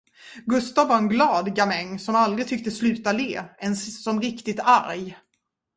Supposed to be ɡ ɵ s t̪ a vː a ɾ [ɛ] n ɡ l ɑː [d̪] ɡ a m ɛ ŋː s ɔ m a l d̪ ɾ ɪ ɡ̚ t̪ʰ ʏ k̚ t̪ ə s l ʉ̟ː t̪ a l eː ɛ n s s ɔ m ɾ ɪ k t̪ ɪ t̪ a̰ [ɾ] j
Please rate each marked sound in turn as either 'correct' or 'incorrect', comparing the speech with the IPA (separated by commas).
correct, correct, correct